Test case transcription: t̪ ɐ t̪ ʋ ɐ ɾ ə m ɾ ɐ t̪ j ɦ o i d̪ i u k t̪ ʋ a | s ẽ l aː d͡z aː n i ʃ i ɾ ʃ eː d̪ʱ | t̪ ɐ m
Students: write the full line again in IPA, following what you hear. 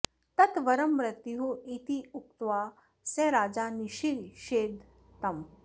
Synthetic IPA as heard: t̪ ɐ t̪ ʋ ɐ ɾ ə m ɾ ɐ t̪ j ɦ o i t̪ i u k t̪ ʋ a | s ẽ ɾ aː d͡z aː n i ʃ i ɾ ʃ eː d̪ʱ | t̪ ɐ m

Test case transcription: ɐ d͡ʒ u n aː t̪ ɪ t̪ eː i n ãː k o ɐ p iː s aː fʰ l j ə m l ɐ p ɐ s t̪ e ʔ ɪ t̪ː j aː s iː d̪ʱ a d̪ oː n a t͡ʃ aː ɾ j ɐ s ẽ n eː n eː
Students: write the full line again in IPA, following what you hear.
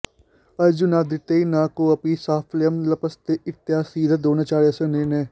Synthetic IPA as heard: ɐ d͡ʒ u n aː d̪ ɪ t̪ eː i n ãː k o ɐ p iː s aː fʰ l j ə m l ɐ p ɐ s t̪ e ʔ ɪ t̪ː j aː s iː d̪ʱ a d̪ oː n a t͡ʃ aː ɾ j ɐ s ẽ n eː n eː

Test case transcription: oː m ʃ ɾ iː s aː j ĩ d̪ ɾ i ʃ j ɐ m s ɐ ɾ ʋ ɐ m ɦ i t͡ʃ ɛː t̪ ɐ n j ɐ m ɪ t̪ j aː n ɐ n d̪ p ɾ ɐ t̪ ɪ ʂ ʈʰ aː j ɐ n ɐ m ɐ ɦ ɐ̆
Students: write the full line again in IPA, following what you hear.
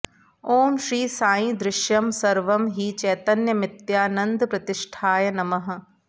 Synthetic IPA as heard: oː m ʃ ɾ iː s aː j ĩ d̪ ɾ ɪ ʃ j ɐ m s ɐ ɾ ʋ ɐ m ɦ i t͡ʃ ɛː t̪ ɐ n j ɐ m ɪ t̪ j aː n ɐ n d̪ p ɾ ɐ t̪ ɪ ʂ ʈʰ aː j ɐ n ɐ m ɐ ɦ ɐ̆

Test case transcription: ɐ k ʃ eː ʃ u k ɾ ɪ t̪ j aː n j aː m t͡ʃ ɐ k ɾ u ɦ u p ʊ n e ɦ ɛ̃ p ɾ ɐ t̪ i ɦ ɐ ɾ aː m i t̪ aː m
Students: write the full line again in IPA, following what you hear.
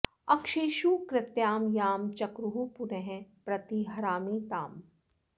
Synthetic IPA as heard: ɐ k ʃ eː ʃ u k ɾ ɪ t̪ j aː m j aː m t͡ʃ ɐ k ɾ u ɦ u p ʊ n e ɦ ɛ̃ p ɾ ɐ t̪ i ɦ ɐ ɾ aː m i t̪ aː m

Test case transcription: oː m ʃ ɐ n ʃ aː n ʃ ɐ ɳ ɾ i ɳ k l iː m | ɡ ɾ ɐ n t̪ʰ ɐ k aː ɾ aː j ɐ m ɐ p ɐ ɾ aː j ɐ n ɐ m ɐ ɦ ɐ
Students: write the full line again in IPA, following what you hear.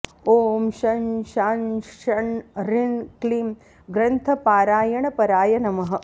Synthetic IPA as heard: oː m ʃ ɐ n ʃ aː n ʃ ɐ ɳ ɾ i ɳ k l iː m | ɡ ɾ ɐ n t̪ʰ ɐ p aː ɾ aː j ɐ ɳ ɐ p ɐ ɾ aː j ɐ n ɐ m ɐ ɦ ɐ

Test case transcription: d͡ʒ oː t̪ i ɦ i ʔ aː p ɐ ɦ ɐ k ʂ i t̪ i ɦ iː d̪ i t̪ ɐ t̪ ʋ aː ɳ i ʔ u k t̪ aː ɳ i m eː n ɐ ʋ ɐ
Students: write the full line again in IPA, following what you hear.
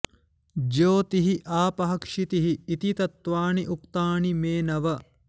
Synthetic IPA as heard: d͡ʒ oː t̪ i ɦ i ʔ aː p ɐ ɦ ɐ k ʂ i t̪ i ɦ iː t̪ i t̪ ɐ t̪ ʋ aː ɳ i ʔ u k t̪ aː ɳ i m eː n ɐ ʋ ɐ

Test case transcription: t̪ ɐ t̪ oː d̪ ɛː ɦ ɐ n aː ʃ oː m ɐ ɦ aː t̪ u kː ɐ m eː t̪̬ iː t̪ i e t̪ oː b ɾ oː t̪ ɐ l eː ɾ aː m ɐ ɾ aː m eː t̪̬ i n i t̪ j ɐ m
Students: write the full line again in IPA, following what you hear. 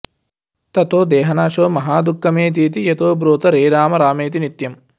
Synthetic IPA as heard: t̪ ɐ t̪ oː d̪ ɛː ɦ ɐ n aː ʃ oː m ɐ ɦ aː d̪ u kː ɐ m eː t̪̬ iː t̪ i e t̪ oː b ɾ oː t̪ ɐ ɾ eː ɾ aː m ɐ ɾ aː m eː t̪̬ i n i t̪ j ɐ m

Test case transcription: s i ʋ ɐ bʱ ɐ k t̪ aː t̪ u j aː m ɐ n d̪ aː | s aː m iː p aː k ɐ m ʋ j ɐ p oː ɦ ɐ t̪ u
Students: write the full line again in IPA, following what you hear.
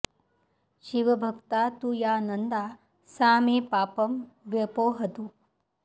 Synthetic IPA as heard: ʃ i ʋ ɐ bʱ ɐ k t̪ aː t̪ u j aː n ɐ n d̪ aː | s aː m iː p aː p ɐ m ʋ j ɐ p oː ɦ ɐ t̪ u

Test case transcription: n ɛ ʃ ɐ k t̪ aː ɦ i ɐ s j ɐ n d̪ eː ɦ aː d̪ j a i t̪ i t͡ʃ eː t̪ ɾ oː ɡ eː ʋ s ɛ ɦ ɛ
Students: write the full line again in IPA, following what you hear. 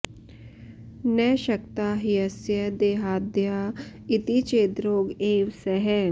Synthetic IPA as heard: n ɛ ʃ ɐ k t̪ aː ɦ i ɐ s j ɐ d̪ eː ɦ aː d̪ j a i t̪ i t͡ʃ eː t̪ ɾ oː ɡ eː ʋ s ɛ ɦ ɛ

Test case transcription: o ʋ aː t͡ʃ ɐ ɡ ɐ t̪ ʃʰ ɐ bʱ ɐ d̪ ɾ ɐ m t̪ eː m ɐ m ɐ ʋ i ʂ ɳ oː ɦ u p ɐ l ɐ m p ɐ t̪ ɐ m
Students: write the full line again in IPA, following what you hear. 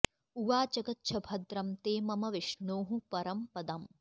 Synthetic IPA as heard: u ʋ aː t͡ʃ ɐ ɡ ɐ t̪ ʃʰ ɐ bʱ ɐ d̪ ɾ ɐ m t̪ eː m ɐ m ɐ ʋ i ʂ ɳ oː ɦ u p ɐ ɾ ɐ m p ɐ d̪ ɐ m

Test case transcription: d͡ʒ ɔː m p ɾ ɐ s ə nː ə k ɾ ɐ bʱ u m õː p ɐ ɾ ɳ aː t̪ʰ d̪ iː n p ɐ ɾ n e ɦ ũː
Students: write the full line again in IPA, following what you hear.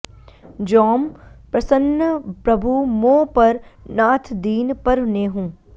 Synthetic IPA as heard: d͡ʒ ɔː m p ɾ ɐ s ə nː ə p ɾ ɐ bʱ u m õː p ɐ ɾ n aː t̪ʰ d̪ iː n p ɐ ɾ n e ɦ ũː

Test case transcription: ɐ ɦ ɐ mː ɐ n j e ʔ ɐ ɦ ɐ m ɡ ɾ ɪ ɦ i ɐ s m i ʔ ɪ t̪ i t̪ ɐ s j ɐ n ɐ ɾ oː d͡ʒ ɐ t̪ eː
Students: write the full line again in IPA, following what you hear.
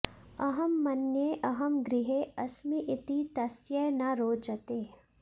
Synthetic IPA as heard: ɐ ɦ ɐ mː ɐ n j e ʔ ɐ ɦ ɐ m ɡ ɾ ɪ ɦ e ɐ s m i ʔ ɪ t̪ i t̪ ɐ s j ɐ n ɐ ɾ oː d͡ʒ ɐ t̪ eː

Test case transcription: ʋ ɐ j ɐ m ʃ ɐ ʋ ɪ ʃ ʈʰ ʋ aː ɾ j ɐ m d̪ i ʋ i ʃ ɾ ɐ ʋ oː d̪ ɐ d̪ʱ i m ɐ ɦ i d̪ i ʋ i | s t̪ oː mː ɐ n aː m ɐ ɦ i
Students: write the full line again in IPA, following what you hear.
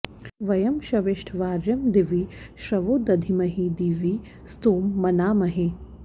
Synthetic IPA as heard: ʋ ɐ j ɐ m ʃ ɐ ʋ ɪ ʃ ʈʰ ʋ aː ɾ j ɐ m d̪ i ʋ i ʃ ɾ ɐ ʋ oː d̪ ɐ d̪ʱ i m ɐ ɦ i d̪ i ʋ i | s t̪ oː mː ɐ n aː m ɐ ɦ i

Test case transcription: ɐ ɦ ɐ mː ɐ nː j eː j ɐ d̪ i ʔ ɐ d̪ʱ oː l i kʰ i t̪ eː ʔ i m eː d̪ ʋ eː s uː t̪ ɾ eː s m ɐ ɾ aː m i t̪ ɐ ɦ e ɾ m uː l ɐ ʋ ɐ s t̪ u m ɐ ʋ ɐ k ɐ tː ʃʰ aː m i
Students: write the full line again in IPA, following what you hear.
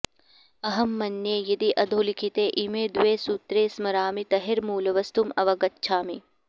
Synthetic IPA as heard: ɐ ɦ ɐ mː ɐ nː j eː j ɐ d̪ i ʔ ɐ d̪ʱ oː l i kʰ i t̪ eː ʔ i m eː d̪ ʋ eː s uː t̪ ɾ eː s m ɐ ɾ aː m i t̪ ɐ ɦ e ɾ m uː l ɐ ʋ ɐ s t̪ u m ɐ ʋ ɐ ɡ ɐ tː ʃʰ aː m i

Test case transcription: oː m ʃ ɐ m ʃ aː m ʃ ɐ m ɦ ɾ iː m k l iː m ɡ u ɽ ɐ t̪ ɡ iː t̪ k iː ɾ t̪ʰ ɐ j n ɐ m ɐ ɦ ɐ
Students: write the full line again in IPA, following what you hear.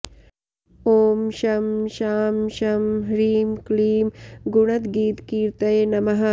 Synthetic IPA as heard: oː m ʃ ɐ m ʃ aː m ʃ ɐ m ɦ ɾ iː m k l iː m ɡ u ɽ ɐ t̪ ɡ iː t̪ k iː ɾ t̪ ɐ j n ɐ m ɐ ɦ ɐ

